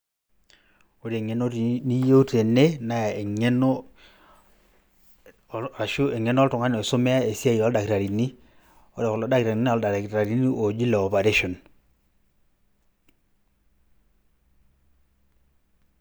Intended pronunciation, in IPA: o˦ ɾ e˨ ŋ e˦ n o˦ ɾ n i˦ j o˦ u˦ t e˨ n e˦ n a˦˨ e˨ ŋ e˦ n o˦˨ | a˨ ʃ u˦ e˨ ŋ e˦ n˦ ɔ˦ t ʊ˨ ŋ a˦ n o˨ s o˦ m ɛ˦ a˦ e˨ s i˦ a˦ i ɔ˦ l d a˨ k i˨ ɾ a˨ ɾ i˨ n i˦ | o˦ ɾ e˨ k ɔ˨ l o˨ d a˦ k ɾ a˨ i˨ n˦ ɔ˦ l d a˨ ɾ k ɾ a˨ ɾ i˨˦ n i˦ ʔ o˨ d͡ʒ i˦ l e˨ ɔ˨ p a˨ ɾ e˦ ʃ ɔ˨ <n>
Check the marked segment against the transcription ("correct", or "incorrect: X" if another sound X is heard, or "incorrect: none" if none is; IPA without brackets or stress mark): correct